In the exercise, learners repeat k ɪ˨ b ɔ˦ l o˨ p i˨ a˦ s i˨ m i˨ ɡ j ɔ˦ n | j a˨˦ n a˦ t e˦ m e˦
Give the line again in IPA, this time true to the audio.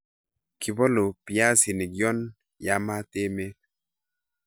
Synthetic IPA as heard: k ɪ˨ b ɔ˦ l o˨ p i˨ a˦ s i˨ n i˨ ɡ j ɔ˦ n | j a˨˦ m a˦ t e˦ m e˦